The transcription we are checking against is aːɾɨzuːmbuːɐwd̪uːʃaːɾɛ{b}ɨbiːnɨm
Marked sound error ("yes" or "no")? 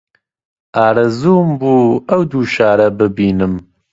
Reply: no